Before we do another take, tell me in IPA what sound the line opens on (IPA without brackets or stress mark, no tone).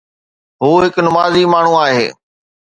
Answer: ɦ